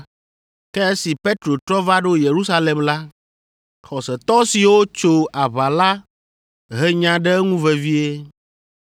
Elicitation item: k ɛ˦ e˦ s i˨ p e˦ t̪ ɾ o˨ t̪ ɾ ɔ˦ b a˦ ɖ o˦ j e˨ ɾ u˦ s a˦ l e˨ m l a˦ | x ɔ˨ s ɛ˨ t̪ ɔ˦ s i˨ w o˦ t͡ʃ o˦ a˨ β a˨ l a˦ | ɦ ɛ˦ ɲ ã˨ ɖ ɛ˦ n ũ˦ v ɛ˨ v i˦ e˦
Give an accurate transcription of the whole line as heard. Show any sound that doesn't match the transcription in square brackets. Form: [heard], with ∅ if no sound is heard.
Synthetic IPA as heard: k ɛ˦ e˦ s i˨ p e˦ t̪ ɾ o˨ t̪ ɾ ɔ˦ [v] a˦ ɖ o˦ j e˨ ɾ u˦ s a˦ l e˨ m l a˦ | x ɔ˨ s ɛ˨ t̪ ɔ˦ s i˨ w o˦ t͡ʃ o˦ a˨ β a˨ l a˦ | ɦ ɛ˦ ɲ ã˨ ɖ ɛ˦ [ŋ] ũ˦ v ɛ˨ v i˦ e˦